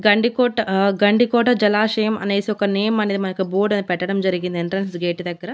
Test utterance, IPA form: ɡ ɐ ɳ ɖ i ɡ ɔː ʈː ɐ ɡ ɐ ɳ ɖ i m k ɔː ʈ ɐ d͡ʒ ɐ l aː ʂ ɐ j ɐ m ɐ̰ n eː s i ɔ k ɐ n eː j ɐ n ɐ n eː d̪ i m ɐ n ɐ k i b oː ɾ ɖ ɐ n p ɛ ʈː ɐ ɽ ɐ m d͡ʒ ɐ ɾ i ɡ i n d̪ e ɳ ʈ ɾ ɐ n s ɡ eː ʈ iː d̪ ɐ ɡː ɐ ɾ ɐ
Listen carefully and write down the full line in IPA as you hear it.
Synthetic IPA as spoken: ɡ ɐ ɳ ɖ i k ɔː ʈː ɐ ɡ ɐ ɳ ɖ i k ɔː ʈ ɐ d͡ʒ ɐ l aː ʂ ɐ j ɐ m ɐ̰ n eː s i ɔ k ɐ n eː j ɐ m ɐ n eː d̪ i m ɐ n ɐ k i b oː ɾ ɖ ɐ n p ɛ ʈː ɐ ɽ ɐ m d͡ʒ ɐ ɾ i ɡ i n d̪ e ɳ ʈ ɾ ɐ n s ɡ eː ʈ i d̪ ɐ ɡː ɐ ɾ ɐ